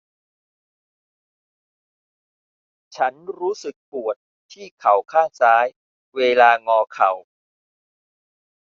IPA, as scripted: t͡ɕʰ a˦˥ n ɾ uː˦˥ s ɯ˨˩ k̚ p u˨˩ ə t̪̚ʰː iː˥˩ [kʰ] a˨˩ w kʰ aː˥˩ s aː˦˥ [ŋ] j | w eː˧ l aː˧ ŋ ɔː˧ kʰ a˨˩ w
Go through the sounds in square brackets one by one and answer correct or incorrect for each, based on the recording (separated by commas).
correct, incorrect